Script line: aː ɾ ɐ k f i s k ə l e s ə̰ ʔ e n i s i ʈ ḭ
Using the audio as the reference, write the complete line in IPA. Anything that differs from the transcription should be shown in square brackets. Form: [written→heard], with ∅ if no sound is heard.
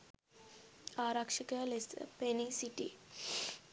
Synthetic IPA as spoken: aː ɾ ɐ k [f→ʂ] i [s→∅] k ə l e s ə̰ [ʔ→p] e n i s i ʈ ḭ